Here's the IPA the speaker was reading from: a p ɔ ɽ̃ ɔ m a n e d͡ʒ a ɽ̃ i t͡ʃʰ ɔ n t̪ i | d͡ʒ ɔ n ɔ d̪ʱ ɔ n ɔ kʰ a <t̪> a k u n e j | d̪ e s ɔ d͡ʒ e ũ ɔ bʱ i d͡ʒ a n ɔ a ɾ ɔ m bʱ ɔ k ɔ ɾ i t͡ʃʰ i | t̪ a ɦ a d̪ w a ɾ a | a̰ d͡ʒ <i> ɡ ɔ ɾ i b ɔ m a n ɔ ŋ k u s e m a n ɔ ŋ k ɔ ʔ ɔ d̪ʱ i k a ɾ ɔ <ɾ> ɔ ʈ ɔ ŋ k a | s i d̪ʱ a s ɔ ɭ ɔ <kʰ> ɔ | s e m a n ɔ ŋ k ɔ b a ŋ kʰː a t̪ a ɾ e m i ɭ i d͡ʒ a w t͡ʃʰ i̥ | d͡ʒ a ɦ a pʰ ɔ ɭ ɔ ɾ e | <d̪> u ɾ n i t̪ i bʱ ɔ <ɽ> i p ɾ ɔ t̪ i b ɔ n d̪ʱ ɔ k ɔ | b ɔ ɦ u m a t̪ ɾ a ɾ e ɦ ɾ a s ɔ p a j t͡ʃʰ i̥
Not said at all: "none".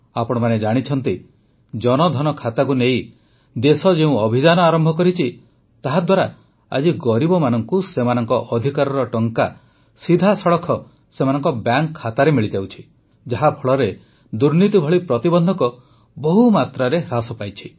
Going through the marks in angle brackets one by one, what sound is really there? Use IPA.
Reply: t̪, i, ɾ, kʰ, d̪, ɭ

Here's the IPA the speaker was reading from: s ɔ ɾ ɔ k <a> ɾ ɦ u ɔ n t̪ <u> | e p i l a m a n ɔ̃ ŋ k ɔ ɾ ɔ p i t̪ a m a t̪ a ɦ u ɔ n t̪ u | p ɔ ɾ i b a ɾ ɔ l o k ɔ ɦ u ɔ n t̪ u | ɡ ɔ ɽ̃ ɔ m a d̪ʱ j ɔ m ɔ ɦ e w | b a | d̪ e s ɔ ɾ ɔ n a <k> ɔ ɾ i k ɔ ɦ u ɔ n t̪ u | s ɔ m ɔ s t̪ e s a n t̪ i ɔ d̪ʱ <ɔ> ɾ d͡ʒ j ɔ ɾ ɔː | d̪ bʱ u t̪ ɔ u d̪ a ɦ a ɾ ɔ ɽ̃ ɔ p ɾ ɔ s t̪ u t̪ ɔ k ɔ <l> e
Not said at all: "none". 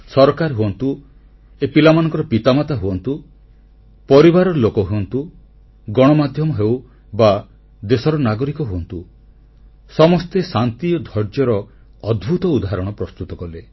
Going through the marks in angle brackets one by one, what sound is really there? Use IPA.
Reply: a, u, ɡ, ɔ, l

